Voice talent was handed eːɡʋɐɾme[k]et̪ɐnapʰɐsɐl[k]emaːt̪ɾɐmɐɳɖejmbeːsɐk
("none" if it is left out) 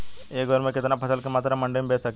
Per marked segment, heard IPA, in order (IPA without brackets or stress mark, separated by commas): k, k